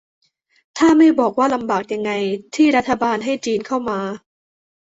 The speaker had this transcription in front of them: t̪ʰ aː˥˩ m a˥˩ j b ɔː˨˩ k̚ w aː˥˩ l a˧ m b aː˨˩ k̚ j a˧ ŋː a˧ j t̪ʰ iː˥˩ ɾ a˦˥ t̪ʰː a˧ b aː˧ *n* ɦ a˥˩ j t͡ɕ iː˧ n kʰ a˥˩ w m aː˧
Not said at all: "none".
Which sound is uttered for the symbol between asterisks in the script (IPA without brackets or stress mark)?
n